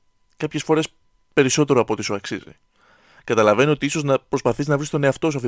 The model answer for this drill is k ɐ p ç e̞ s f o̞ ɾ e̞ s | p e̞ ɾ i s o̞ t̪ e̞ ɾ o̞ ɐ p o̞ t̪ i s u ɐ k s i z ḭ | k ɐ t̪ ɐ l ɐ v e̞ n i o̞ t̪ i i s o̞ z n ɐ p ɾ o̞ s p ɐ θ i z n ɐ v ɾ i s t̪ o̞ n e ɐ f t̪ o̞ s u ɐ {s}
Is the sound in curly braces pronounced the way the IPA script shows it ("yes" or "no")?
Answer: no